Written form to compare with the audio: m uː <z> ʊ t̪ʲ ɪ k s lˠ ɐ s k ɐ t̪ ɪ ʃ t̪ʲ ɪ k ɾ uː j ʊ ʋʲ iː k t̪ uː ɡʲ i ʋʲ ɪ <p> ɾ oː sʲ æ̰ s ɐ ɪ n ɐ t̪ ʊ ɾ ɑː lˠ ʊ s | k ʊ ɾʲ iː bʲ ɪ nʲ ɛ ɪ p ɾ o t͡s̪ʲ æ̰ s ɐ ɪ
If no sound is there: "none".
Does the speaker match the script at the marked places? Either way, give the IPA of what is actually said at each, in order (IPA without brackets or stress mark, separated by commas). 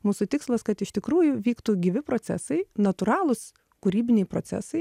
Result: s, p